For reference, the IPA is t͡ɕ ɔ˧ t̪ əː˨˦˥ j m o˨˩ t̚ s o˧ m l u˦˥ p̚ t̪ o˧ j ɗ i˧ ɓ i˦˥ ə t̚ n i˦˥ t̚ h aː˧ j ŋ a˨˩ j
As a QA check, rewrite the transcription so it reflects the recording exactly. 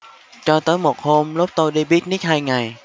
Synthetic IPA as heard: t͡ɕ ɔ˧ t̪ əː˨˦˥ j m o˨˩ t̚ h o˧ m l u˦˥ p̚ t̪ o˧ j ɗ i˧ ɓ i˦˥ ə t̚ n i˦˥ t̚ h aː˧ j ŋ a˨˩ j